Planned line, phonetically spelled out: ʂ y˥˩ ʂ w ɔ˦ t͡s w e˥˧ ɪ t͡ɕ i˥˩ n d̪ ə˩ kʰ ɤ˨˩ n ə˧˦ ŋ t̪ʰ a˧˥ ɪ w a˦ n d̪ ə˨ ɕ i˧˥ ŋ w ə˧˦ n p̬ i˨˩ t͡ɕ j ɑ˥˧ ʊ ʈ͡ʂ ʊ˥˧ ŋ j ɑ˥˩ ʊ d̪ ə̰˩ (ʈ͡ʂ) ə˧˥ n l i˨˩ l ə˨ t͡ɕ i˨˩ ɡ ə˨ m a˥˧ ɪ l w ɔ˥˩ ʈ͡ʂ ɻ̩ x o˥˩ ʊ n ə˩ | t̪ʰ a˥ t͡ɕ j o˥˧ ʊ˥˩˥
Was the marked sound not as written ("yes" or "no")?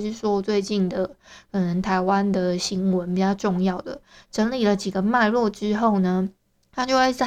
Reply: no